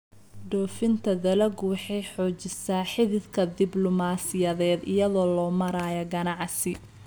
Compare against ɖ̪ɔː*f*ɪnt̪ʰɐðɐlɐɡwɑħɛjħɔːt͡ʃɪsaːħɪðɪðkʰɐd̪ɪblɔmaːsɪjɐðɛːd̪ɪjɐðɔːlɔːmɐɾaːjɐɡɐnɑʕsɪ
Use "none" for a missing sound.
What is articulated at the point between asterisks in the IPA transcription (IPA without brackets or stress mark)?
f